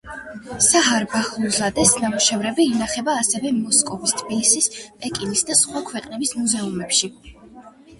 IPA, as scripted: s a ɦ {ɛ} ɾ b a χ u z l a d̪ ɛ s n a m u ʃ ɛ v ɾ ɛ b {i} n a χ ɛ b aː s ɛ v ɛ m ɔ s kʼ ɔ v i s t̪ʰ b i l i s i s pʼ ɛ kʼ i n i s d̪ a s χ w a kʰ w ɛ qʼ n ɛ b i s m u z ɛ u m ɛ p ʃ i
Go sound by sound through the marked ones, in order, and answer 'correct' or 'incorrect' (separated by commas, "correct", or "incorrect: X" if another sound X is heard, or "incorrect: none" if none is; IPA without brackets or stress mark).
incorrect: a, incorrect: iː